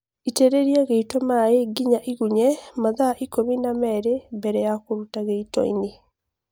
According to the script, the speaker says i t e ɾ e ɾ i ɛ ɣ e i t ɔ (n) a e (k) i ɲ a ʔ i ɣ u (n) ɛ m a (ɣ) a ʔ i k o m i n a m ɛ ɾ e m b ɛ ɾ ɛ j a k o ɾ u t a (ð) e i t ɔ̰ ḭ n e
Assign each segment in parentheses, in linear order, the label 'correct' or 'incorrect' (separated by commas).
incorrect, incorrect, incorrect, incorrect, incorrect